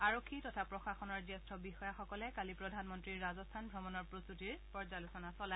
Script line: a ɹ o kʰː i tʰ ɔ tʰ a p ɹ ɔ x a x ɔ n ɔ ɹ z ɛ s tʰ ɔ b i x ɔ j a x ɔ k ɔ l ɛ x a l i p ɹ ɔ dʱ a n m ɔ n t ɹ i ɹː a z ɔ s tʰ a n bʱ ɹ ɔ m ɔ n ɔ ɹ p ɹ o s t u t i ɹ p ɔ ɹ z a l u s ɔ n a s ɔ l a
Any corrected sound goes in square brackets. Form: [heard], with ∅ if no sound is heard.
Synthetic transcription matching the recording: a ɹ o kʰː i [t] ɔ tʰ a p ɹ ɔ x a x ɔ n ɔ ɹ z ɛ s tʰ ɔ b i x ɔ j a x ɔ k ɔ l ɛ [k] a l i p ɹ ɔ dʱ a n m ɔ n t ɹ i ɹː a z ɔ s tʰ a n bʱ ɹ ɔ m ɔ n ɔ ɹ p ɹ o s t u t i ɹ p ɔ ɹ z a l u s ɔ n a s ɔ l a